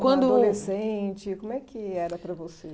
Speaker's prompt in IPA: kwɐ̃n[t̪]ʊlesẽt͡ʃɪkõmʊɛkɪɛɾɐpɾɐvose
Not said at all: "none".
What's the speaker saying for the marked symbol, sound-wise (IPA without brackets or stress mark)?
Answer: d̪